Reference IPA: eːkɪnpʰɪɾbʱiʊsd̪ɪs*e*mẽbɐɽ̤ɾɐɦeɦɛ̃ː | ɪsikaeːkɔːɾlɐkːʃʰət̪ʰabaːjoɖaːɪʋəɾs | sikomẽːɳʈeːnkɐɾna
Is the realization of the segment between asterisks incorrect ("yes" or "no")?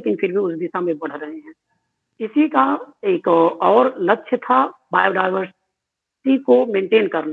yes